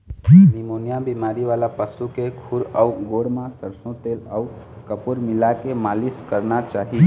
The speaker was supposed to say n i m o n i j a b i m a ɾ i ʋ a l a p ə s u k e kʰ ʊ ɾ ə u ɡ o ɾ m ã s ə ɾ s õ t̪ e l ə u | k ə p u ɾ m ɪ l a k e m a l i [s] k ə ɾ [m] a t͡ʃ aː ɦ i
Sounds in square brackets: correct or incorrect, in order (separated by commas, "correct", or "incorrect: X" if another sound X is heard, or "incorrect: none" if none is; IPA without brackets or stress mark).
correct, incorrect: n